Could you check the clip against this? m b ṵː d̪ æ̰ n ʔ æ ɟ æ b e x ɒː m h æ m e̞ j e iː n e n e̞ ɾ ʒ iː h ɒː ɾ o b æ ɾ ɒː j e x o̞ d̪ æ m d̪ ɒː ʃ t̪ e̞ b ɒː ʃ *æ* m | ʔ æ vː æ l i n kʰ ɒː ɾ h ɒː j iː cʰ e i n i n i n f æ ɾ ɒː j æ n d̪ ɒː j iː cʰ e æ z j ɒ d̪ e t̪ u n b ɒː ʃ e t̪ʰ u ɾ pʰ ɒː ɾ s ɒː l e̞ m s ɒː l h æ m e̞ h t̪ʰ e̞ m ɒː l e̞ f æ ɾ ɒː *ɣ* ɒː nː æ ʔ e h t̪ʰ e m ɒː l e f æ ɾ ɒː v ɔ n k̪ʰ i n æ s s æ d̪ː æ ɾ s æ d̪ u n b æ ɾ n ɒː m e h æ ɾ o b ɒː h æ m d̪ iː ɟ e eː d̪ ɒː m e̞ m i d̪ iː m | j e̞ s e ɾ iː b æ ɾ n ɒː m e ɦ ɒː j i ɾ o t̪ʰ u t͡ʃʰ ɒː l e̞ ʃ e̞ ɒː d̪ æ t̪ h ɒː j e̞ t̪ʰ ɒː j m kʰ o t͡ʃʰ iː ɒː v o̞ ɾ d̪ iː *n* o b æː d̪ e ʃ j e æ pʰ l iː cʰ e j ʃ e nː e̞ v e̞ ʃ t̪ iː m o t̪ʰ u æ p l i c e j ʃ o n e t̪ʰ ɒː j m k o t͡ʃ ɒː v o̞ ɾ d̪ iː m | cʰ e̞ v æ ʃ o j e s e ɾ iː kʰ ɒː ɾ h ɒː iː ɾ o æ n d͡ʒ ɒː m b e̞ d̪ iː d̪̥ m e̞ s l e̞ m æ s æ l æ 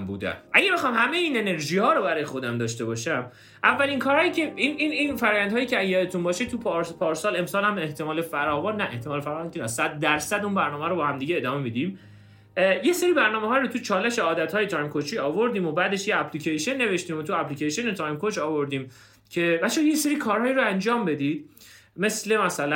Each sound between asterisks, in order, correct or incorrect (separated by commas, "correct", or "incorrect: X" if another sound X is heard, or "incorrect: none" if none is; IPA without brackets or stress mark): correct, incorrect: v, incorrect: m